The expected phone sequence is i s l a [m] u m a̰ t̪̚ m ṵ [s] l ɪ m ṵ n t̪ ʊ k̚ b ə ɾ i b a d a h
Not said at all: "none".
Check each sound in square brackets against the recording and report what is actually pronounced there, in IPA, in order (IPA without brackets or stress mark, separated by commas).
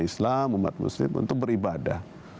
m, s